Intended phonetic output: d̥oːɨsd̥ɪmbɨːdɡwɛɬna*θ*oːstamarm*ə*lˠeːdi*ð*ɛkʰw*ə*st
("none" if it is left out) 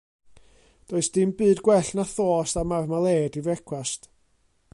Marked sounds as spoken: θ, a, v, a

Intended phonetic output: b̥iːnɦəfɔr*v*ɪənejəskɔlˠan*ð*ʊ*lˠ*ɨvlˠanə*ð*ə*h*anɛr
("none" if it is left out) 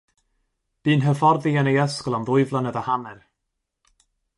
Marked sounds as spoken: ð, ð, none, ð, h

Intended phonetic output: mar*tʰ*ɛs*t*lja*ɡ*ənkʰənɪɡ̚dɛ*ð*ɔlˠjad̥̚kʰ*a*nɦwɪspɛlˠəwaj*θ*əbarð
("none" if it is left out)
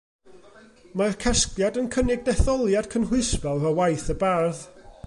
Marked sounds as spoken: kʰ, k, d, θ, ə, θ

